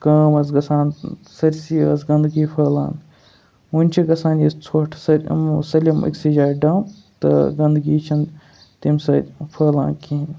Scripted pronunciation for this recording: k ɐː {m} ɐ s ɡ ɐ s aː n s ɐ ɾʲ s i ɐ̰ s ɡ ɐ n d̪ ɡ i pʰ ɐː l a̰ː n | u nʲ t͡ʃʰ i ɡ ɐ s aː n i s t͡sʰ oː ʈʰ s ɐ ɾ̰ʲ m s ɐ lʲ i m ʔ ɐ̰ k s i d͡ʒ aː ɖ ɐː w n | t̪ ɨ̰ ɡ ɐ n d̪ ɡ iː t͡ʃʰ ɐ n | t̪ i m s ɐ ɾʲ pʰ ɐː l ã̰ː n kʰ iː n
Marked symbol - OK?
yes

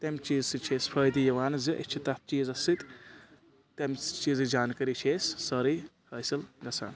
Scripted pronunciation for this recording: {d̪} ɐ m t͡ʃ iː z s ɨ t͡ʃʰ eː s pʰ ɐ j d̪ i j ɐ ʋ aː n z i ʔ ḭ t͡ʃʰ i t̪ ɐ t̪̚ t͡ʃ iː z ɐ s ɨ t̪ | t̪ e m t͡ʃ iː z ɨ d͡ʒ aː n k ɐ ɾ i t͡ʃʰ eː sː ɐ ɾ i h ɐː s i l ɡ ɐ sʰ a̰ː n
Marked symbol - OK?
no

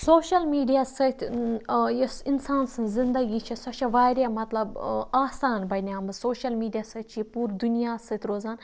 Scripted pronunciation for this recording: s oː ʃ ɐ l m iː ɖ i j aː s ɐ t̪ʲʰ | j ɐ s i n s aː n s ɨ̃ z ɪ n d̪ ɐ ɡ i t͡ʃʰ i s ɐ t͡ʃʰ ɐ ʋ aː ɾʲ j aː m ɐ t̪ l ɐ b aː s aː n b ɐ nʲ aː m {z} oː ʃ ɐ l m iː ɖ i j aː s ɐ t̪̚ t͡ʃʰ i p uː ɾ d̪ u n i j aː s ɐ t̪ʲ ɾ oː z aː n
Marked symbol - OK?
no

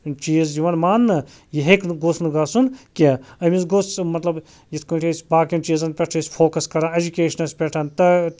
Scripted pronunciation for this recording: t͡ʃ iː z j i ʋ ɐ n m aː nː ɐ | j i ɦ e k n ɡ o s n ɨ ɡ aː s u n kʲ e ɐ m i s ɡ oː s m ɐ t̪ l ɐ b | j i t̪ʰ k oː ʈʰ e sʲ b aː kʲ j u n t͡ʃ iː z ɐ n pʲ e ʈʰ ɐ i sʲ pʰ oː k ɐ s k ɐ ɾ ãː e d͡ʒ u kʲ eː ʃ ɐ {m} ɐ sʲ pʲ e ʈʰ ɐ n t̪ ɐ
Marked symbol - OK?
no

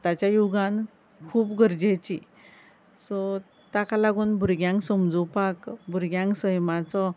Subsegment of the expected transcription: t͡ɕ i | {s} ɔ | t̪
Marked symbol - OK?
yes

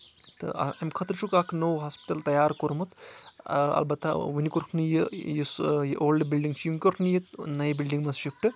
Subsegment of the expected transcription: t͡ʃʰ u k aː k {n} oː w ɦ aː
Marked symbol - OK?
yes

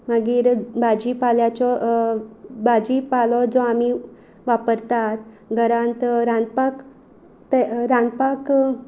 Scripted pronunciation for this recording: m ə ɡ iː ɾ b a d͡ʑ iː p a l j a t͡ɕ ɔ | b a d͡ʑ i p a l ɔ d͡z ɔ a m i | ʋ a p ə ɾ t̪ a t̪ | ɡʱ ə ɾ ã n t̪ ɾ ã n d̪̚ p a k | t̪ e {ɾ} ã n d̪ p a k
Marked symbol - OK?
yes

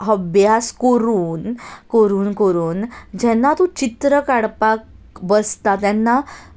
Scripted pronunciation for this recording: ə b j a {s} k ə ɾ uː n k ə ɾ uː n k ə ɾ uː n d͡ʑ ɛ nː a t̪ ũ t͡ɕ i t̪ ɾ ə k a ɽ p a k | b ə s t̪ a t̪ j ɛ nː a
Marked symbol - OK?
yes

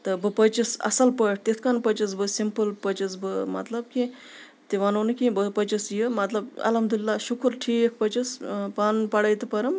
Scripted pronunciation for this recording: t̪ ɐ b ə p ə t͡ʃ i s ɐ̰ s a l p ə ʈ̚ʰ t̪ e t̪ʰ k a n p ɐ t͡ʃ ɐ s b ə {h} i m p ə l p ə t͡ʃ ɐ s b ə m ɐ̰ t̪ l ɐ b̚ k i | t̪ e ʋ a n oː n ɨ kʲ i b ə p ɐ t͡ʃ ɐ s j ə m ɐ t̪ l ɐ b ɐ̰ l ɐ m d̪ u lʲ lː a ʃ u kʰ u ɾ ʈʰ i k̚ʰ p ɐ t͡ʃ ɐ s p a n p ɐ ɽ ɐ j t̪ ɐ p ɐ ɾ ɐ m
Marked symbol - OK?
no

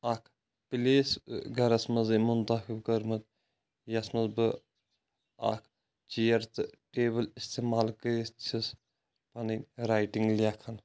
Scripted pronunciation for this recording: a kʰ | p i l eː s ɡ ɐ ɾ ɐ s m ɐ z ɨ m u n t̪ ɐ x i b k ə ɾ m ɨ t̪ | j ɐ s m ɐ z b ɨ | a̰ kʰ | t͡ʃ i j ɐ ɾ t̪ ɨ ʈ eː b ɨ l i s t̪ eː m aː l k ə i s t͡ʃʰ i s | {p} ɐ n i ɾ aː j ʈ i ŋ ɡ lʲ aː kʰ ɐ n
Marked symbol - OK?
yes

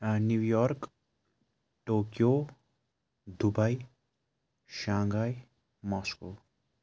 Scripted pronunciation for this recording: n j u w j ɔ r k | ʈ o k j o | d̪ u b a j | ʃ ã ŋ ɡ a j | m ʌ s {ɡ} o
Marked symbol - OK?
no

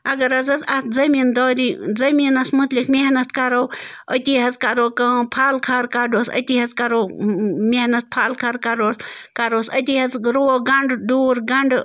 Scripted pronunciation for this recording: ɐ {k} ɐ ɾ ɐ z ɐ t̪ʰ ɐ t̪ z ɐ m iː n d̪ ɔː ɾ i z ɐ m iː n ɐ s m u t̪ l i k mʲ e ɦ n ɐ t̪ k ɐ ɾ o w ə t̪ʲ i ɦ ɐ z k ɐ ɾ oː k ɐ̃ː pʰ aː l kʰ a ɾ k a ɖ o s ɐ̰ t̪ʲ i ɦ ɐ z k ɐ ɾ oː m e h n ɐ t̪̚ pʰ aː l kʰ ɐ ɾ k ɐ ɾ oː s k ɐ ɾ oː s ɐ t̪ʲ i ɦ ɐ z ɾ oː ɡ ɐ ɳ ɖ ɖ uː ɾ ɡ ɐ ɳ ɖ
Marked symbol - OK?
no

